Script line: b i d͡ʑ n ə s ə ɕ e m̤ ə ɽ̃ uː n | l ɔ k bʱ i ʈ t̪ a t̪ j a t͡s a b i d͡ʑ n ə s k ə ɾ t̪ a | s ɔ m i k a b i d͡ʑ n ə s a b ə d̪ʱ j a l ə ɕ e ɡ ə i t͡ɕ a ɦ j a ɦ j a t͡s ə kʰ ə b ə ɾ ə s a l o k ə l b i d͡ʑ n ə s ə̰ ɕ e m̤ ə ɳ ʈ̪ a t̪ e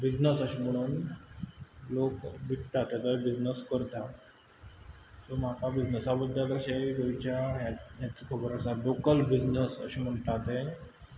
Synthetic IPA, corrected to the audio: b i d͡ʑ n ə s ə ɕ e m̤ ə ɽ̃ uː n | l o k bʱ i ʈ t̪ a t̪ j a t͡s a b i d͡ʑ n ə s k ə ɾ t̪ a | s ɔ m a k a b i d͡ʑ n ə s a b ə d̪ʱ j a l ə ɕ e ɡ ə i t͡ɕ a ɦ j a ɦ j a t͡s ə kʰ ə b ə ɾ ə s a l o k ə l b i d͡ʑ n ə s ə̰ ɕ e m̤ ə ɳ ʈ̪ a t̪ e